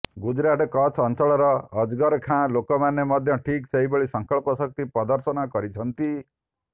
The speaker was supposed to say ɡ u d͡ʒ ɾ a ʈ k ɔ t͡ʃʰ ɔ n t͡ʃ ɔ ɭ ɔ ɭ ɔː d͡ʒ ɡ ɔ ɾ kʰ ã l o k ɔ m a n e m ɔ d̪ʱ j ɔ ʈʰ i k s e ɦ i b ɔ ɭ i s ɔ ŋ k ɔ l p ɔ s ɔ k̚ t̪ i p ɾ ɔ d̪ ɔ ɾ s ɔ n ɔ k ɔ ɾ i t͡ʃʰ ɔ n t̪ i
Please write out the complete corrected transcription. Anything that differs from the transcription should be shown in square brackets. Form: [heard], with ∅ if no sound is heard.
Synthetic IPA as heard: ɡ u d͡ʒ ɾ a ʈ k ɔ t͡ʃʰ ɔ n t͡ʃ ɔ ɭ ɔ [ɾ] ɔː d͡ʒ ɡ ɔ ɾ kʰ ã l o k ɔ m a n e m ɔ d̪ʱ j ɔ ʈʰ i k s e ɦ i b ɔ ɭ i s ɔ ŋ k ɔ [ɭ] p ɔ s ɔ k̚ t̪ i p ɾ ɔ d̪ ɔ ɾ s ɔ n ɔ k ɔ ɾ i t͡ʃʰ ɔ n t̪ i

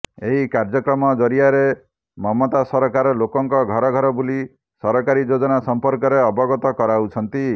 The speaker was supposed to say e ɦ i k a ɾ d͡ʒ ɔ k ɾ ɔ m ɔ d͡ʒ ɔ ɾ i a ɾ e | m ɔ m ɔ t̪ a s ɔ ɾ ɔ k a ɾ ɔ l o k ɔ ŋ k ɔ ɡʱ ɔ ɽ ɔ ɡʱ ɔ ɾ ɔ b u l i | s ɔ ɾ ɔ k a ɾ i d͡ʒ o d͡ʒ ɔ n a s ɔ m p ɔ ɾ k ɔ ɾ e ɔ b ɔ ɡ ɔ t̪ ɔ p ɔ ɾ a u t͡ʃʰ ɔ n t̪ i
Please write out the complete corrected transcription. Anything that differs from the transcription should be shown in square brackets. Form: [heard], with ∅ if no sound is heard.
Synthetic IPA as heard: e ɦ i k a ɾ d͡ʒ ɔ k ɾ ɔ m ɔ d͡ʒ ɔ ɾ i a ɾ e | m ɔ m ɔ t̪ a s ɔ ɾ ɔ k a ɾ ɔ l o k ɔ ŋ k ɔ ɡʱ ɔ [ɾ] ɔ ɡʱ ɔ ɾ ɔ b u l i | s ɔ ɾ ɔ k a ɾ i d͡ʒ o d͡ʒ ɔ n a s ɔ m p ɔ ɾ k ɔ ɾ e ɔ b ɔ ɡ ɔ t̪ ɔ [k] ɔ ɾ a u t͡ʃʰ ɔ n t̪ i

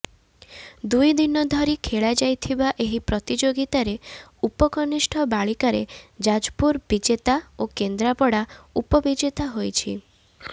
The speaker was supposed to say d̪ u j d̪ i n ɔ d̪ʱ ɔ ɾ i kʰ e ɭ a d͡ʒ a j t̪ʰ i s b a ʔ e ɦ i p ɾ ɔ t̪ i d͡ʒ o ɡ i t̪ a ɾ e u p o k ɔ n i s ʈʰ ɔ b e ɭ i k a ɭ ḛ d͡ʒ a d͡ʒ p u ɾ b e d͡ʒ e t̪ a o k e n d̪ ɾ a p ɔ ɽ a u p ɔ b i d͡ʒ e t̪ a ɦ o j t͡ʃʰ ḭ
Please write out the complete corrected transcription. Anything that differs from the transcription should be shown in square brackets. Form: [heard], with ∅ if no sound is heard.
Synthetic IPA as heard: d̪ u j d̪ i n ɔ d̪ʱ ɔ ɾ i kʰ e ɭ a d͡ʒ a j t̪ʰ i [∅] b a ʔ e ɦ i p ɾ ɔ t̪ i d͡ʒ o ɡ i t̪ a ɾ e u p [ɔ] k ɔ n i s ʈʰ ɔ b [a] ɭ i k a [ɾ] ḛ d͡ʒ a d͡ʒ p u ɾ b [i] d͡ʒ e t̪ a o k e n d̪ ɾ a p ɔ ɽ a u p ɔ b i d͡ʒ e t̪ a ɦ o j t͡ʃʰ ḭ

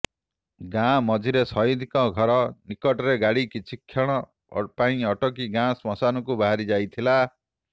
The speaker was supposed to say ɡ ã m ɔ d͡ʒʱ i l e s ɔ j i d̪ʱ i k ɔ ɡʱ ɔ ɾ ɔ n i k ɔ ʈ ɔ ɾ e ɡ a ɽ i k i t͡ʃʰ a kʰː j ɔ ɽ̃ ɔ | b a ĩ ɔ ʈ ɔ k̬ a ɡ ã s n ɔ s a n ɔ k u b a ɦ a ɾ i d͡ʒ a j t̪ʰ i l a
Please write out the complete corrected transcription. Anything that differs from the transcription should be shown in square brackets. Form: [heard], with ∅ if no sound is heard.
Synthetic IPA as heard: ɡ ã m ɔ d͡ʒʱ i [ɾ] e s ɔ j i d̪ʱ i k ɔ ɡʱ ɔ ɾ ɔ n i k ɔ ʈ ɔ ɾ e ɡ a ɽ i k i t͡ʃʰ [i] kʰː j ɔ ɽ̃ ɔ | [p] a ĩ ɔ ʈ ɔ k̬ [i] ɡ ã s [m] ɔ s a n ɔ k u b a ɦ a ɾ i d͡ʒ a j t̪ʰ i l a

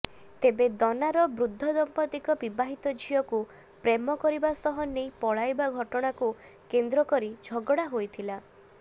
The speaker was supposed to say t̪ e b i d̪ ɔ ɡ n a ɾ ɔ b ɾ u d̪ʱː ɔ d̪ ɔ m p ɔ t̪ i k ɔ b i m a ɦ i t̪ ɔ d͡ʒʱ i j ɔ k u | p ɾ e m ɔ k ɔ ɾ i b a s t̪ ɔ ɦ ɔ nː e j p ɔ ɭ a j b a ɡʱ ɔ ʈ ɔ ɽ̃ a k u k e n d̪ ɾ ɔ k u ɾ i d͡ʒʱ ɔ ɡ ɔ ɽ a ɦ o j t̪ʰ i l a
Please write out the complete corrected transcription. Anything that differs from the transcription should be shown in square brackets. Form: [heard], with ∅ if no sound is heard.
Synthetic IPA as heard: t̪ e b [e] d̪ ɔ [∅] n a ɾ ɔ b ɾ u d̪ʱː ɔ d̪ ɔ m p ɔ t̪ i k ɔ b i [b] a ɦ i t̪ ɔ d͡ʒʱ i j ɔ k u | p ɾ e m ɔ k ɔ ɾ i b a s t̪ ɔ ɦ ɔ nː e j p ɔ ɭ a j b a ɡʱ ɔ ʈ ɔ ɽ̃ a k u k e n d̪ ɾ ɔ k [ɔ] ɾ i d͡ʒʱ ɔ ɡ ɔ ɽ a ɦ o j t̪ʰ i l a

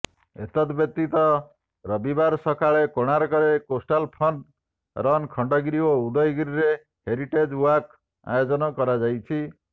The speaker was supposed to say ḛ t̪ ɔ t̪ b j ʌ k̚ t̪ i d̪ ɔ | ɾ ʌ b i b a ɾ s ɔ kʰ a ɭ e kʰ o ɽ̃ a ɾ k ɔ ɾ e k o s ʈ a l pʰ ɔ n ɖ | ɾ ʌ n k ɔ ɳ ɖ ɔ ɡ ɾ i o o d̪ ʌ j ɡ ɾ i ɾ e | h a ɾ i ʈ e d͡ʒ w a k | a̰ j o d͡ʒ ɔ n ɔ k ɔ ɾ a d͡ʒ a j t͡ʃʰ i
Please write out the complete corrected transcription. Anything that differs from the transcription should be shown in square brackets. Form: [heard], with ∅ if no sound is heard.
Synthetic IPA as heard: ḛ t̪ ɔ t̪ b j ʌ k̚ t̪ i [t̪] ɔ | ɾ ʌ b i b a ɾ s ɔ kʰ a ɭ e [k] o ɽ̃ a ɾ k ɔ ɾ e k o s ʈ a l pʰ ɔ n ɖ | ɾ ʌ n [kʰ] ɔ ɳ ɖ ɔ ɡ ɾ i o [u] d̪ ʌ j ɡ ɾ i ɾ e | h [e] ɾ i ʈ e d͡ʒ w a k | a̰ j o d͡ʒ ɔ n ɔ k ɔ ɾ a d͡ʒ a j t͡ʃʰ i

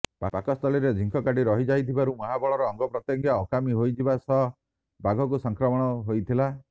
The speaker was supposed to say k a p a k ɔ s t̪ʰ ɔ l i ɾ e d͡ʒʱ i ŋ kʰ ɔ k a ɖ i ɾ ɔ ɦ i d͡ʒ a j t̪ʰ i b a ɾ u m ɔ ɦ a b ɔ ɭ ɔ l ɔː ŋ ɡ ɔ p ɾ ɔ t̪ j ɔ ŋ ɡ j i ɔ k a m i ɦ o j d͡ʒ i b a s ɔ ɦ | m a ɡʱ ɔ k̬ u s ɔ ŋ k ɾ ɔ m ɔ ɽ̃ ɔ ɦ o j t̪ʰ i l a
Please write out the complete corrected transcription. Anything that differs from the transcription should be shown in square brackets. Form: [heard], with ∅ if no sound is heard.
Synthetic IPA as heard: [p] a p a k ɔ s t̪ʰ ɔ l i ɾ e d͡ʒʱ i ŋ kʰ ɔ k a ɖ i ɾ ɔ ɦ i d͡ʒ a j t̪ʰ i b a ɾ u m ɔ ɦ a b ɔ ɭ ɔ [ɾ] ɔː ŋ ɡ ɔ p ɾ ɔ t̪ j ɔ ŋ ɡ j [a] ɔ k a m i ɦ o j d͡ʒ i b a s ɔ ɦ | [b] a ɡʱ ɔ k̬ u s ɔ ŋ k ɾ ɔ m ɔ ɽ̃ ɔ ɦ o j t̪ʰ i l a

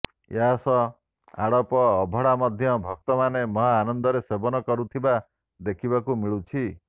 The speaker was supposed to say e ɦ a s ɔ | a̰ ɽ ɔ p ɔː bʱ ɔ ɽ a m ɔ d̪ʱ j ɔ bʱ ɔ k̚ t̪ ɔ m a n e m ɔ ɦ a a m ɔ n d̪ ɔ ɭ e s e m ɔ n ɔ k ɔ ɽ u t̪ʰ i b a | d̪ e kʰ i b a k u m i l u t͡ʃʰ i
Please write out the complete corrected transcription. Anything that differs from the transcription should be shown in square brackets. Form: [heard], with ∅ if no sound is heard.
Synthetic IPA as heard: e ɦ a s ɔ | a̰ ɽ ɔ p ɔː bʱ ɔ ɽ a m ɔ d̪ʱ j ɔ bʱ ɔ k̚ t̪ ɔ m a n e m ɔ ɦ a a [n] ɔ n d̪ ɔ [ɾ] e s e [b] ɔ n ɔ k ɔ [ɾ] u t̪ʰ i b a | d̪ e kʰ i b a k u m i [ɭ] u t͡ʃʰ i

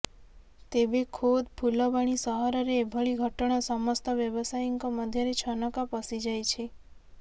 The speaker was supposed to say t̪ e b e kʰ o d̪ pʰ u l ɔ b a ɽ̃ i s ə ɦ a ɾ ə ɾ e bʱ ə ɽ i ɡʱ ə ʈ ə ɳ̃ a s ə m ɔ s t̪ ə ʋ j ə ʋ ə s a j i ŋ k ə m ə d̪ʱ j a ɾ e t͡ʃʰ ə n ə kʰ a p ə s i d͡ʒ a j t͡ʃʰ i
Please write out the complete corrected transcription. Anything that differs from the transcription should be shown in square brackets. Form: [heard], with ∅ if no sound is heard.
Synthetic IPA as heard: t̪ e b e kʰ o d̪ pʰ u l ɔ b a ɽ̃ i s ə ɦ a ɾ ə ɾ e bʱ ə [ɭ] i ɡʱ ə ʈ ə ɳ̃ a s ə m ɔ s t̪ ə ʋ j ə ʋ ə s a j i ŋ k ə m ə d̪ʱ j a ɾ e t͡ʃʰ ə n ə [k] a p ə s i d͡ʒ a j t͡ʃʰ [e]

